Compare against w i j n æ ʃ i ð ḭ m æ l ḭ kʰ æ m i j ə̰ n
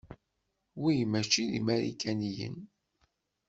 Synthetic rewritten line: w i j m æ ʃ i ð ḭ m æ ɾ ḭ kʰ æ n i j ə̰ n